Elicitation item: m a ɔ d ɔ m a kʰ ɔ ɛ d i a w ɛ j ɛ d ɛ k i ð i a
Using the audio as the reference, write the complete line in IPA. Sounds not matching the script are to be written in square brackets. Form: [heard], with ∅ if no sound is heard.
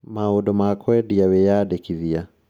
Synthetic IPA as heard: m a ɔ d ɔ m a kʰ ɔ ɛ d i a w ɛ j [a] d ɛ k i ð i a